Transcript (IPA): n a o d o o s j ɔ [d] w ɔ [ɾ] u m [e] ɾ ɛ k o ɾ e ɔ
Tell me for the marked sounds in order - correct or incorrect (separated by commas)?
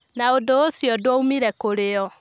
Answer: correct, incorrect, incorrect